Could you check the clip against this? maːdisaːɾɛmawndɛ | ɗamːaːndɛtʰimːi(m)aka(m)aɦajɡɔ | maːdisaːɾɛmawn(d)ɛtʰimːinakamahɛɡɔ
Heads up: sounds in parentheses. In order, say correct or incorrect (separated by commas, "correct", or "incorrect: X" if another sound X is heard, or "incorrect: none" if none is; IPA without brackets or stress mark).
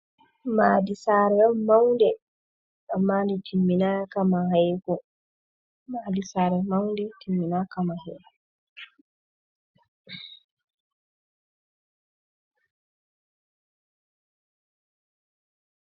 incorrect: n, correct, correct